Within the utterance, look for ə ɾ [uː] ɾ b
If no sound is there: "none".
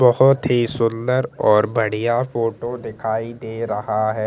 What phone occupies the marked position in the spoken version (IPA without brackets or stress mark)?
ɔː